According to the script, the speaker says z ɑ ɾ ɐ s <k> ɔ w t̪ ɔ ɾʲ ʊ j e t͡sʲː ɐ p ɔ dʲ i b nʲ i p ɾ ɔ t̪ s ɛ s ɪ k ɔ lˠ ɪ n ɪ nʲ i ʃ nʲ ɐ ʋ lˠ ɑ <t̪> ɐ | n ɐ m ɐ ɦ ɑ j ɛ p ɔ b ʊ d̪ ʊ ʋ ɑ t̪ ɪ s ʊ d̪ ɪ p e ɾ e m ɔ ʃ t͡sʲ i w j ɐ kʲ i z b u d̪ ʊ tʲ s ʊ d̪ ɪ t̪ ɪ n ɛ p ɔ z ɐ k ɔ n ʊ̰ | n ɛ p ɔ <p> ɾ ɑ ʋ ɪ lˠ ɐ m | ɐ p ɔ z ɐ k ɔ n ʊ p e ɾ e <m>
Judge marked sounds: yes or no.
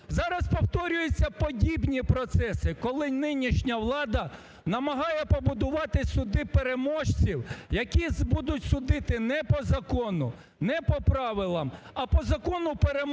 no, no, yes, yes

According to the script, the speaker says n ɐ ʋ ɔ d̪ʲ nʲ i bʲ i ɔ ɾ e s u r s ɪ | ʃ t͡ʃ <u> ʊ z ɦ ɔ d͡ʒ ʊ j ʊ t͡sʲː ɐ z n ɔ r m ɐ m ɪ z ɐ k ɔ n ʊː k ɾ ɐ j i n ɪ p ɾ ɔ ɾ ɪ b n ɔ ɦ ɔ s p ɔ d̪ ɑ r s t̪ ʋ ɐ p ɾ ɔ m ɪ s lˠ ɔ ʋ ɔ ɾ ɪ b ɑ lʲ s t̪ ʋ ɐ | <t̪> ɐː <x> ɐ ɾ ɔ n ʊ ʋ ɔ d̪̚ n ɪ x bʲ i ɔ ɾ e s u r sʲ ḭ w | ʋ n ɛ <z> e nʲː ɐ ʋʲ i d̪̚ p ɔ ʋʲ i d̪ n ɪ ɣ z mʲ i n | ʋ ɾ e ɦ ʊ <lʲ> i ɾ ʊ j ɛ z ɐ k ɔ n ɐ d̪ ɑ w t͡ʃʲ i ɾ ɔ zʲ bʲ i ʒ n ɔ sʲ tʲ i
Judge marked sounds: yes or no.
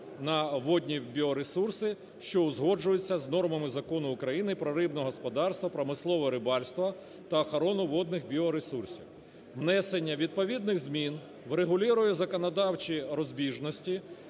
no, yes, yes, no, yes

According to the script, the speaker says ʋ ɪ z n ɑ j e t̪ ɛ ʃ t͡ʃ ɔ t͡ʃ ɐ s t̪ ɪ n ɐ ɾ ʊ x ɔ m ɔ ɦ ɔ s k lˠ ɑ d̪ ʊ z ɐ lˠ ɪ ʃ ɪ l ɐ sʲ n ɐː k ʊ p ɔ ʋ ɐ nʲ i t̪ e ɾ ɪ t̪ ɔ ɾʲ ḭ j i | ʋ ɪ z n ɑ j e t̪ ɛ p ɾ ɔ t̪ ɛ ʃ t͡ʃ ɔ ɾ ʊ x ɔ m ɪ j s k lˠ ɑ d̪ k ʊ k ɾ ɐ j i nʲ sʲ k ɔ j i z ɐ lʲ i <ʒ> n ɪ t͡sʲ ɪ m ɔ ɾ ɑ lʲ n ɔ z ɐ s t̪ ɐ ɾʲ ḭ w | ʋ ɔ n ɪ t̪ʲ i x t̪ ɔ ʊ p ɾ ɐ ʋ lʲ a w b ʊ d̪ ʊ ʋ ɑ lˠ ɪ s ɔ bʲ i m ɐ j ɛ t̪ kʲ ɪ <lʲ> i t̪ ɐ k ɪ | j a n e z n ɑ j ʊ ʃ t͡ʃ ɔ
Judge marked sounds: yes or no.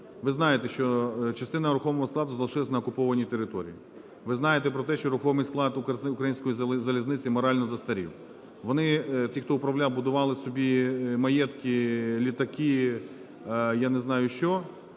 no, yes

